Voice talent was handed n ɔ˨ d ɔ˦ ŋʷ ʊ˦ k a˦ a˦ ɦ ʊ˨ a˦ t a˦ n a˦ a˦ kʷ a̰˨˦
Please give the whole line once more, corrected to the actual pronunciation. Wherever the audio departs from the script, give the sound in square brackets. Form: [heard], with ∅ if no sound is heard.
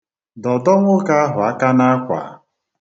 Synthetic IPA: [d] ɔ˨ d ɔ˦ ŋʷ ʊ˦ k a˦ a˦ ɦ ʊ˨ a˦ [k] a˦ n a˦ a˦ kʷ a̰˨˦

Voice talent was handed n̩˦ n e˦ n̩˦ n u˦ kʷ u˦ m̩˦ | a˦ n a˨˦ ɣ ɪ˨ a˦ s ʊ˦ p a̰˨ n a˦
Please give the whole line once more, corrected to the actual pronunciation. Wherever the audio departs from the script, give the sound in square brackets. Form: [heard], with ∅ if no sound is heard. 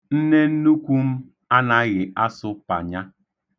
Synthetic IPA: n̩˦ n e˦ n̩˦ n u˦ kʷ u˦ m̩˦ | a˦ n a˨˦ ɣ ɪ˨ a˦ s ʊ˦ p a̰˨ [ɲ] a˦

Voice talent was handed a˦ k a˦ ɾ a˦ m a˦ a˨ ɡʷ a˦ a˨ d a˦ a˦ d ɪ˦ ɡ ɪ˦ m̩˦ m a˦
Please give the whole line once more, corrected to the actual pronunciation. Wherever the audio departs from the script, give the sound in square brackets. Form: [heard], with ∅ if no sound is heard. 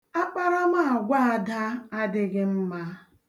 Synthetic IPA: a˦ [k͡p] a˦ ɾ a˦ m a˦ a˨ ɡʷ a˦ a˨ d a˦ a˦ d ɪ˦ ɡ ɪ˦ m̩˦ m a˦

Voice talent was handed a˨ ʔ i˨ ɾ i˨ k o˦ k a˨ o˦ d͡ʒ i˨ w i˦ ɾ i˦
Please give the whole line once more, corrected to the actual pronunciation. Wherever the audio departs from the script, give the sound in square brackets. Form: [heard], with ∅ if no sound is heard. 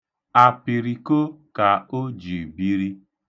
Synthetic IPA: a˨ [p] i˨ ɾ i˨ k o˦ k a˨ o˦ d͡ʒ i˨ [b] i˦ ɾ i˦

